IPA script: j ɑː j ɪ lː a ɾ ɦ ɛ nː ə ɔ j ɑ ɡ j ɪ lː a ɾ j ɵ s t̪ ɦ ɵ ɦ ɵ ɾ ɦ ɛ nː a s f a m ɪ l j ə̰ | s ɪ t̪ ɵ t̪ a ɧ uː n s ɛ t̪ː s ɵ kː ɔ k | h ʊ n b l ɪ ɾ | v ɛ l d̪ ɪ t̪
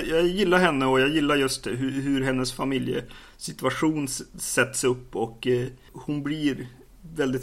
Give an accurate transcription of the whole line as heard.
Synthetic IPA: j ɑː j ɪ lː a ɾ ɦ ɛ nː ə ɔ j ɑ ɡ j ɪ lː a ɾ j ɵ s t̪ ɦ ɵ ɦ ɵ ɾ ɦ ɛ nː ə s f a m ɪ l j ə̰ | s ɪ t̪ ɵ a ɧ uː n s ɛ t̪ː s ɵ pː ɔ k | h ʊ n b l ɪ ɾ | v ɛ l d̪ ɪ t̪